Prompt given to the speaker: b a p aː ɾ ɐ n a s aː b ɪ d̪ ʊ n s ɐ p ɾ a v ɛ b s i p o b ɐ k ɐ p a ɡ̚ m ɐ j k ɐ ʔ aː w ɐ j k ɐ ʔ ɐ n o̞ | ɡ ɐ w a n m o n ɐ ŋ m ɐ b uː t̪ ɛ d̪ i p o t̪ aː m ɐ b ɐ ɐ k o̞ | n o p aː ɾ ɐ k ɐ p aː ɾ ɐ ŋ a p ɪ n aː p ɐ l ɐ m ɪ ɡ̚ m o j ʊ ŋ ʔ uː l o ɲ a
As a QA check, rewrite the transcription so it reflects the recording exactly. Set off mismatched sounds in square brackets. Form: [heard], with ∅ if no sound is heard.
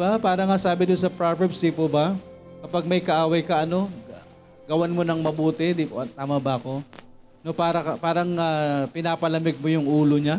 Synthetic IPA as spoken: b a p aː ɾ ɐ [ŋ] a s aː b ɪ d̪ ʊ n s ɐ p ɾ a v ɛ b s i p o b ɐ k ɐ p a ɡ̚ m ɐ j k ɐ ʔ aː w ɐ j k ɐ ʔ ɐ n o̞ | ɡ ɐ w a n m o n ɐ ŋ m ɐ b uː t̪ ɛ d̪ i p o t̪ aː m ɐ b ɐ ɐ k o̞ | n o p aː ɾ ɐ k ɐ p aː ɾ ɐ ŋ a p ɪ n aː p ɐ l ɐ m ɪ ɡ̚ m o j ʊ ŋ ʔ uː l o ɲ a